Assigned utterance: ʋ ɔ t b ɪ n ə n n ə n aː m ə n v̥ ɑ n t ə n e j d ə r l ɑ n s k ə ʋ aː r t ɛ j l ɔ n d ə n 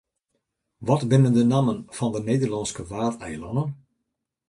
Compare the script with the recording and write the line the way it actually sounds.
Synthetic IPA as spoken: ʋ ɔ t b ɪ n ə n d ə n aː m ə n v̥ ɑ n d ə n e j d ə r l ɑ n s k ə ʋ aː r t ɛ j l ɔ n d ə n